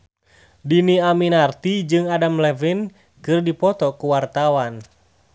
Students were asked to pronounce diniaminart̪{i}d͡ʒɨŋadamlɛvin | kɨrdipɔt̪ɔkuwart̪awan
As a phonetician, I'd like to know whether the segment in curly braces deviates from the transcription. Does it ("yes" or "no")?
no